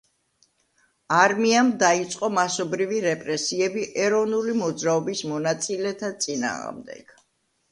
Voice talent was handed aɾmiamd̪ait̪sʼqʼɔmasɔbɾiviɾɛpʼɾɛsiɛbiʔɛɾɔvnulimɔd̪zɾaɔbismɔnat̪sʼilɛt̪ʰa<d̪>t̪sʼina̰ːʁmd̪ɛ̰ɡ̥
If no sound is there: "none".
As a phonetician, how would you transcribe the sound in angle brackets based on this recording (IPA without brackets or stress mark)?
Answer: none